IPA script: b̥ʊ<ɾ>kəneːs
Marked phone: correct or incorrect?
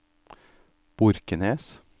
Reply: correct